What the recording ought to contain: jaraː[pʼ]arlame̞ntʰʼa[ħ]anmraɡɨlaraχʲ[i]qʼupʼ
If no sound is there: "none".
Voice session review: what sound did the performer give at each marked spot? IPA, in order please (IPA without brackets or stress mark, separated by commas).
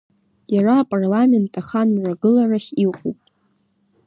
pʼ, χ, i